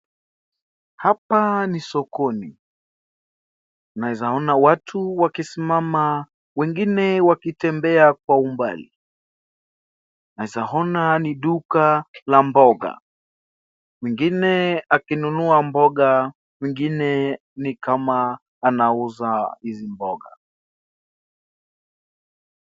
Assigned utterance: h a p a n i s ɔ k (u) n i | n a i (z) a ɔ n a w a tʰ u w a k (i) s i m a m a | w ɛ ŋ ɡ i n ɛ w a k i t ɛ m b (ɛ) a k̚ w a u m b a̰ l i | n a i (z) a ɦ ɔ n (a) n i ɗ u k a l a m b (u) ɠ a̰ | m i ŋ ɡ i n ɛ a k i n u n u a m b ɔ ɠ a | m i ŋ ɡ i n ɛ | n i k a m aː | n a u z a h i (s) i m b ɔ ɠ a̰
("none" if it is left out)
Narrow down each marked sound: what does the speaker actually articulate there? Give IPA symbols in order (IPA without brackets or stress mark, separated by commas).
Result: ɔ, z, i, ɛ, z, a, ɔ, z